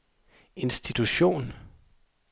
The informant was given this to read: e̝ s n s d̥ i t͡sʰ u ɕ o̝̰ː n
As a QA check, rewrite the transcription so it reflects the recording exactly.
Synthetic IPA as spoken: e̝ n s d̥ i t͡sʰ u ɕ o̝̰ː n